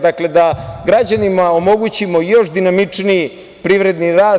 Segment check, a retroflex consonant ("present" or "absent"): present